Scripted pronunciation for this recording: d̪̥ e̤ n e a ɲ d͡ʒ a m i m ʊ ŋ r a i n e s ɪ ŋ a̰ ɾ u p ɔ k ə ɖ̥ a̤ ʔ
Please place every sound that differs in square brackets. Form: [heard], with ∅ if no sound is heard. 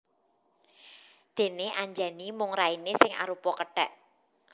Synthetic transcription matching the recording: d̪̥ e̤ n e a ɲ d͡ʒ a [n] i m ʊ ŋ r a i n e s ɪ ŋ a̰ ɾ u p ɔ k ə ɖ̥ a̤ ʔ